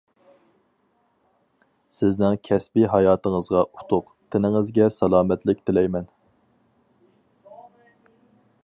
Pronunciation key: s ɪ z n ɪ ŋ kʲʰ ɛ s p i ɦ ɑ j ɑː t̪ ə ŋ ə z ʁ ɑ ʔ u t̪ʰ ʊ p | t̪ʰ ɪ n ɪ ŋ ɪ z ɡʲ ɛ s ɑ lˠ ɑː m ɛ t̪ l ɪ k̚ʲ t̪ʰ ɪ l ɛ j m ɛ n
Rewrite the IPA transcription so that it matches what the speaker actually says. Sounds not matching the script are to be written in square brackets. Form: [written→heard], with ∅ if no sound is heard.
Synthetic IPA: s ɪ z n ɪ ŋ kʲʰ ɛ s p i ɦ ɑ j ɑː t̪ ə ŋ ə z ʁ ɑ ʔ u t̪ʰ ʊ [p→q] | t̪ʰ ɪ n ɪ ŋ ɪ z ɡʲ ɛ s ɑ lˠ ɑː m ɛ t̪ l ɪ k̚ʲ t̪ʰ ɪ l ɛ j m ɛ n